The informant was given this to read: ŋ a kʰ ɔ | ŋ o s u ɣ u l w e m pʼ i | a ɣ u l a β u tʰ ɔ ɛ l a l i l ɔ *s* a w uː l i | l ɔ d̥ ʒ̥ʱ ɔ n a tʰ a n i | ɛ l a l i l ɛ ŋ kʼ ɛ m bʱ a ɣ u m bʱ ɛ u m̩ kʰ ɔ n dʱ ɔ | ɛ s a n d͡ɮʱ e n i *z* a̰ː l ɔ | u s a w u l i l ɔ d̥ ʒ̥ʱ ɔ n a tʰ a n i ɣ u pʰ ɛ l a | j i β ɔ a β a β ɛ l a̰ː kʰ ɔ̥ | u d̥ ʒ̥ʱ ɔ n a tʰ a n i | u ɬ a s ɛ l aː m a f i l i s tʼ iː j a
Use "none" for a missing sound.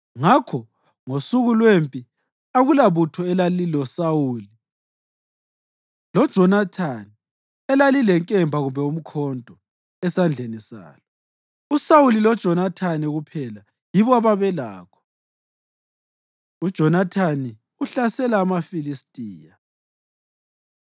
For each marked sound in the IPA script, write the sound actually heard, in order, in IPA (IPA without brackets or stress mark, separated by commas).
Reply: s, s